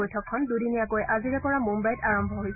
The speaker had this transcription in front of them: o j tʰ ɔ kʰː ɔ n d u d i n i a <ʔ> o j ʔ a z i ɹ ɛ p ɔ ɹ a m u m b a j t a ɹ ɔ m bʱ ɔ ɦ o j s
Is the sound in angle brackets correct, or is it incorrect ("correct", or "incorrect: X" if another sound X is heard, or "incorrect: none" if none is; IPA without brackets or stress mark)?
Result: incorrect: k